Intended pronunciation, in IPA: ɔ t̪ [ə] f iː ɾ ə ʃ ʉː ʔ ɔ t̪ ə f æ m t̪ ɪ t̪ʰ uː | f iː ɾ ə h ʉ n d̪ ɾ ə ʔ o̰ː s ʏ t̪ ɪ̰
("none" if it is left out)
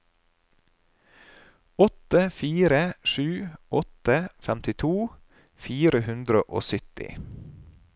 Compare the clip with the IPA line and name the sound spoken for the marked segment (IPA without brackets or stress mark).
ə